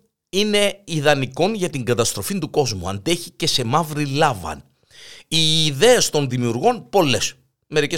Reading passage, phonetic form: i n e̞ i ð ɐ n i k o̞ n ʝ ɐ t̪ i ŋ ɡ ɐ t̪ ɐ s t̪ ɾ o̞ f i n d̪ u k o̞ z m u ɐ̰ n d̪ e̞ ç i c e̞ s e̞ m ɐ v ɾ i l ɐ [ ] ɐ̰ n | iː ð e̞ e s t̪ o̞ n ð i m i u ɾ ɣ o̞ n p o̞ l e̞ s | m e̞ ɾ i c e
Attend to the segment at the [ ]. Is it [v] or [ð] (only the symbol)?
v